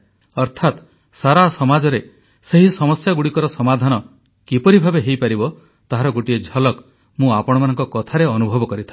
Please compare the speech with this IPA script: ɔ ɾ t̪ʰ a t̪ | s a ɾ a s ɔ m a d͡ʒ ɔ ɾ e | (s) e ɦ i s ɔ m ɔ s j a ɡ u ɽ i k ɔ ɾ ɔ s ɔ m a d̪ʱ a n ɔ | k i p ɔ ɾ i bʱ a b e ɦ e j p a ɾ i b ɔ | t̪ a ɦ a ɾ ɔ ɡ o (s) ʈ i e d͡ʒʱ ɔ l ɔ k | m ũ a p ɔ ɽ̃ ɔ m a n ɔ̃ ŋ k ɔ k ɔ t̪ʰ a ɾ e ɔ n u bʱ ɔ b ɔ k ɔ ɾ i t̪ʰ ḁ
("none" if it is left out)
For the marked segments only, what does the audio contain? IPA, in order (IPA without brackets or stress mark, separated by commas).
s, none